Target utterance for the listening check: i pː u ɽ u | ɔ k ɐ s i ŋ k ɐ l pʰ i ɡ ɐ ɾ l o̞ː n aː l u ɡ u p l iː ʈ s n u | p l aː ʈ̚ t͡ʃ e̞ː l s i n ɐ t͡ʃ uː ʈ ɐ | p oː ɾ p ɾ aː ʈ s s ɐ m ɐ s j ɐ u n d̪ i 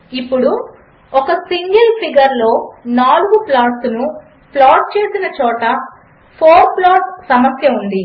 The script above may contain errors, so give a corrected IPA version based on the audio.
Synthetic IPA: i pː u ɽ u | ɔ k ɐ s i ŋ ɡ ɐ l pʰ i ɡ ɐ ɾ l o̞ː n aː l u ɡ u p l aː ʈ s n u | p l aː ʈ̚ t͡ʃ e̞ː s i n ɐ t͡ʃ ɔː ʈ ɐ | pʰ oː ɾ p l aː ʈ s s ɐ m ɐ s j ɐ u n d̪ i